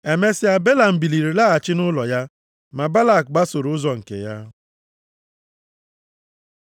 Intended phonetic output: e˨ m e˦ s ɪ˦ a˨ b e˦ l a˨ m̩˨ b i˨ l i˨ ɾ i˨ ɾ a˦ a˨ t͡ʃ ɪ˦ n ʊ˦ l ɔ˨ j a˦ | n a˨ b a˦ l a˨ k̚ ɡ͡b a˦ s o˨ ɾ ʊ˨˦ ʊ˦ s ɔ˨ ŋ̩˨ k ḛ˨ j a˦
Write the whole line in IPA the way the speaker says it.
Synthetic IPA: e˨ m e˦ s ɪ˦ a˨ b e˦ l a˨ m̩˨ b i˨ l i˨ ɾ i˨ l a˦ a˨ t͡ʃ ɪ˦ n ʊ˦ l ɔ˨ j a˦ | m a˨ b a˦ l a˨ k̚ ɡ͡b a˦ s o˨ ɾ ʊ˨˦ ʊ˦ z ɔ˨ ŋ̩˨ k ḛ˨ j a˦

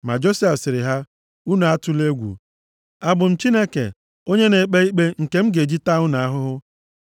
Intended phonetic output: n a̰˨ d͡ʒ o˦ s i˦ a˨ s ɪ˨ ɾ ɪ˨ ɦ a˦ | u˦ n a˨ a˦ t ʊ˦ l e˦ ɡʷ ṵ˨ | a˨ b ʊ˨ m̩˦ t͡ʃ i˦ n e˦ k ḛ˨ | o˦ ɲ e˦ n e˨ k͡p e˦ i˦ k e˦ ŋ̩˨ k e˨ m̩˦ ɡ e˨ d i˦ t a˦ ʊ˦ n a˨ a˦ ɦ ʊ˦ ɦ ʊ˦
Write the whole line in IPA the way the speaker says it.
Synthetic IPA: m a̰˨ d͡ʒ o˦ s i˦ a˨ s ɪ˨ ɾ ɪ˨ ɦ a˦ | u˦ n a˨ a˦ t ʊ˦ l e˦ ɡʷ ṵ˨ | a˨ b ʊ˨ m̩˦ t͡ʃ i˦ n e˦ k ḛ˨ | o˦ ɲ e˦ n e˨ k͡p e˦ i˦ k͡p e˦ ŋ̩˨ k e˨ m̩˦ ɡ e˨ d͡ʒ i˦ t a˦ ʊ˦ n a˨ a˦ ɦ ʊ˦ ɦ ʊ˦

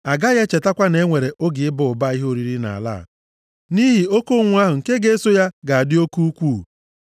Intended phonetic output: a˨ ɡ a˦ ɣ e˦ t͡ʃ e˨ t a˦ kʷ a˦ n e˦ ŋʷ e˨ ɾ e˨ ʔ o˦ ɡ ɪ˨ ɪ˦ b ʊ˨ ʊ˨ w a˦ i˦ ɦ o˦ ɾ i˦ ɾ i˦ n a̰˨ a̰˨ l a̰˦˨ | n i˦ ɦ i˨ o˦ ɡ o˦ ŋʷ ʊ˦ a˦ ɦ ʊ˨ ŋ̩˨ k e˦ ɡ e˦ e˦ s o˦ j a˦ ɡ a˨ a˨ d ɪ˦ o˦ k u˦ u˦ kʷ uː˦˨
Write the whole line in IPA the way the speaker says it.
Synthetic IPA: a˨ ɡ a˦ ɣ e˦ t͡ʃ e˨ t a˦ kʷ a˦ n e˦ ŋʷ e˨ ɾ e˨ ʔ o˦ ɡ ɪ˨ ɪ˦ b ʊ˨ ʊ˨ b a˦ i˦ ɦ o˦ ɾ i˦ ɾ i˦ n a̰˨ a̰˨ l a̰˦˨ | n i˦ ɦ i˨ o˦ k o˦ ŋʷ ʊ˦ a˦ ɦ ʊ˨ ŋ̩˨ k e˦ ɡ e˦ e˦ s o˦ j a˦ ɡ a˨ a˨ d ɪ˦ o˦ k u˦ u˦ kʷ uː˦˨

